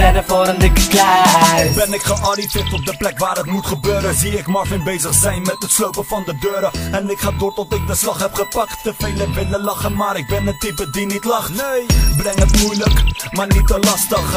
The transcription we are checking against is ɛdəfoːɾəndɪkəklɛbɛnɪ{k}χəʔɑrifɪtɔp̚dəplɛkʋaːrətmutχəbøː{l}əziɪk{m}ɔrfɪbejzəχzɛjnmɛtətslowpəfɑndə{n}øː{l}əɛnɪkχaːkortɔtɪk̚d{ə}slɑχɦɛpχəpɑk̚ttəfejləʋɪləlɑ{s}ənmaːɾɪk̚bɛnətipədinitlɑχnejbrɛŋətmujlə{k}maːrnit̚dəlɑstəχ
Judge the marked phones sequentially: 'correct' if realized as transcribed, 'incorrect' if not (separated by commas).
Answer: correct, incorrect, correct, incorrect, incorrect, correct, incorrect, correct